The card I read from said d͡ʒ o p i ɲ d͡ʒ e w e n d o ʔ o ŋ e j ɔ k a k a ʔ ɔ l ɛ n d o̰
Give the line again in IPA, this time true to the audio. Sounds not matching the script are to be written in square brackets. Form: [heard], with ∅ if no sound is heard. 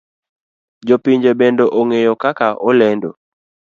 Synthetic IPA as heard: d͡ʒ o p i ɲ d͡ʒ e [b] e n d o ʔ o ŋ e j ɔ k a k a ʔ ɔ l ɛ n d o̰